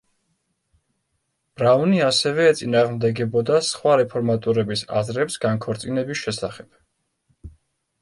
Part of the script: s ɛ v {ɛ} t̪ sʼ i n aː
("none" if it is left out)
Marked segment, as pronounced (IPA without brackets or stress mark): ɛː